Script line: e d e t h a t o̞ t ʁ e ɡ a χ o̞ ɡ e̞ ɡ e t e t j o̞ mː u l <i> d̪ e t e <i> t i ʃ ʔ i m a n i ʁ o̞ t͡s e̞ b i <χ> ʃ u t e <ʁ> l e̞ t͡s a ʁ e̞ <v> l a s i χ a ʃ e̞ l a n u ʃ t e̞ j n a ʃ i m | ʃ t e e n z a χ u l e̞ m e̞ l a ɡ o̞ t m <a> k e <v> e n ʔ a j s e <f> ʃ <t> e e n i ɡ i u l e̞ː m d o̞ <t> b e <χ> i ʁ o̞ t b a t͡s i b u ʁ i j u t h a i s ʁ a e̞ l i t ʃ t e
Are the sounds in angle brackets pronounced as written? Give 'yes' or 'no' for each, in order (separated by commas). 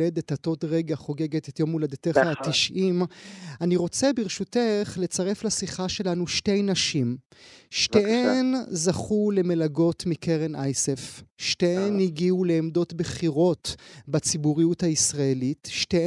no, no, no, no, no, no, no, yes, yes, yes, yes